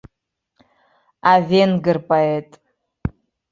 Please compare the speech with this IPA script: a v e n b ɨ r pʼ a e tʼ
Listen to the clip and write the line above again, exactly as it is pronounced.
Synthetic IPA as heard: a v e n ɡ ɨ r pʼ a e tʼ